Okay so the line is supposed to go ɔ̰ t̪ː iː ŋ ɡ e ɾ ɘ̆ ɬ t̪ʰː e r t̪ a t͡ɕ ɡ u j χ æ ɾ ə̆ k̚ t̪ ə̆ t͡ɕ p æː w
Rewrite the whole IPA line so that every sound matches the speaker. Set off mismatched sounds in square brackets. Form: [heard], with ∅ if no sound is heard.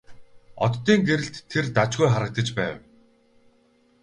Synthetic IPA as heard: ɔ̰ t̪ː iː ŋ ɡ e ɾ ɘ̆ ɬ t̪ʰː e r t̪ a t͡ɕ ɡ u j χ [a] ɾ ə̆ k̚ t̪ ə̆ t͡ɕ p æː w